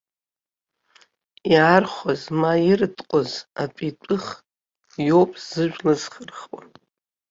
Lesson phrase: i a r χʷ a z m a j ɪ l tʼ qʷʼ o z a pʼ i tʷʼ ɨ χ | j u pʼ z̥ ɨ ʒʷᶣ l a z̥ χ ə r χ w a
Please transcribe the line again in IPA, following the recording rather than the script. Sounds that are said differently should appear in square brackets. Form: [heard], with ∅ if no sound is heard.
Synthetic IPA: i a r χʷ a z m a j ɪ [r] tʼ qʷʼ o z a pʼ i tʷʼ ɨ χ | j [o] pʼ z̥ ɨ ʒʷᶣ l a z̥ χ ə r χ w a